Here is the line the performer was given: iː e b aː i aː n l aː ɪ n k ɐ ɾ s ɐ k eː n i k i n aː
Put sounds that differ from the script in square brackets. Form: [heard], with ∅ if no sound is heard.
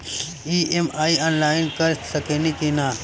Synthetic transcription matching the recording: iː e [m] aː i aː n l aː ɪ n k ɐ ɾ s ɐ k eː n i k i n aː